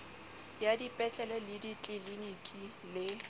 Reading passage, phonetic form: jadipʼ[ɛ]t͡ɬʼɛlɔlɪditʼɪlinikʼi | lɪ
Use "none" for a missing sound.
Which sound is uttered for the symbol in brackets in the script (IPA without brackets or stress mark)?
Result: ɛ